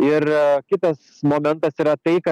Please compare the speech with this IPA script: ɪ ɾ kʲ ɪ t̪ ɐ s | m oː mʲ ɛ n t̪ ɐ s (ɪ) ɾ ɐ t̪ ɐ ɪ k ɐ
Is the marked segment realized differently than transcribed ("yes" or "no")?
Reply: yes